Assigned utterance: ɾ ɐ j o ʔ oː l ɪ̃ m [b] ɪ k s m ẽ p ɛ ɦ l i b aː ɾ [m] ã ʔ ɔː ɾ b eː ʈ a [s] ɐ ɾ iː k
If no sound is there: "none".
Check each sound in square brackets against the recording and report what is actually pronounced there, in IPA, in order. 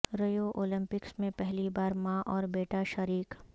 p, m, ʃ

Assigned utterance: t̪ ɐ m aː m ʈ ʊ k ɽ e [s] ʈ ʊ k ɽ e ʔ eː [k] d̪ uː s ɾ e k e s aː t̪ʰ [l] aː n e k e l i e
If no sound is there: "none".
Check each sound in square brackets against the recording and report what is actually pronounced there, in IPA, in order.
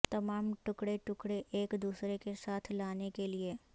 none, k, l

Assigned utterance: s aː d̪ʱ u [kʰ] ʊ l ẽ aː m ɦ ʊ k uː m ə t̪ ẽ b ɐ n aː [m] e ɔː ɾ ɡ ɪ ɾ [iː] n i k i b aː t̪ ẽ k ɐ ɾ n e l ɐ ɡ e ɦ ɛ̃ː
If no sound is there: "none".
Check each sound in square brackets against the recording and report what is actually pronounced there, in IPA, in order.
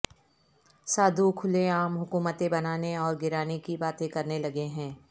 kʰ, n, aː

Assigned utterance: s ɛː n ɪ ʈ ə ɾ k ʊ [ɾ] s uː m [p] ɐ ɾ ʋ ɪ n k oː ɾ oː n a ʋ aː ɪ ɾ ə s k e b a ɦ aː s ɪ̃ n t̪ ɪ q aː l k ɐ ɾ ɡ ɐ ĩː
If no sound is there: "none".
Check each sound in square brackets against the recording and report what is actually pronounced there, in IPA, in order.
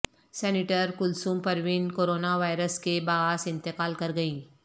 l, p

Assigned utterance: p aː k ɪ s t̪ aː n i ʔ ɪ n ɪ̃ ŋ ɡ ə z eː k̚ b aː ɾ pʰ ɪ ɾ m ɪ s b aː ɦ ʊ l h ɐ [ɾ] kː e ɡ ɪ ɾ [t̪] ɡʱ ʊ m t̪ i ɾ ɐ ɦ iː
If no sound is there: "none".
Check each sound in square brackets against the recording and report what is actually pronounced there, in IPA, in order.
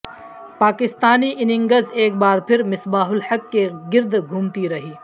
none, d̪

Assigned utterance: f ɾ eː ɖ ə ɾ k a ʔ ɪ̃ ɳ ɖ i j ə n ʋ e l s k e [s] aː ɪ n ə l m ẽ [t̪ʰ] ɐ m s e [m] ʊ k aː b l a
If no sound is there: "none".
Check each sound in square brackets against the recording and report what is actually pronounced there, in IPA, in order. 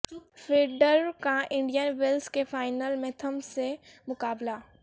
f, t̪ʰ, m

